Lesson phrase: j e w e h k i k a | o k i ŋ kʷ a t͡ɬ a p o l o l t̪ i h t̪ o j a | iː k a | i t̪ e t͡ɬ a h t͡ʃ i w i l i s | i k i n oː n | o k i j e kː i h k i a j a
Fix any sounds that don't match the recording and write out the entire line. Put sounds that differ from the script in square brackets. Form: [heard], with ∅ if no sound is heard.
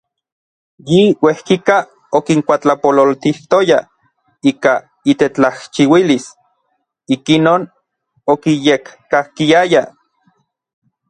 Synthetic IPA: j [i] w e h k i k a | o k i ŋ kʷ a t͡ɬ a p o l o l t̪ i h t̪ o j a | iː k a | i t̪ e t͡ɬ a h t͡ʃ i w i l i s | i k i n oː n | o k i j e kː [a] h k i a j a